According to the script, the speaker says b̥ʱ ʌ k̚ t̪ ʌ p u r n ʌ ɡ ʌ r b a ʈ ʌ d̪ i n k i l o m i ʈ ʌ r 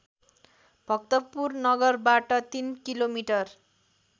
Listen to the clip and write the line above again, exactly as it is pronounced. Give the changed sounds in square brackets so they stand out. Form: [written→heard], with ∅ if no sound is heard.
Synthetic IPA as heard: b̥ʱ ʌ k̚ t̪ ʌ p u r n ʌ ɡ ʌ r b a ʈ ʌ [d̪→t̪] i n k i l o m i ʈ ʌ r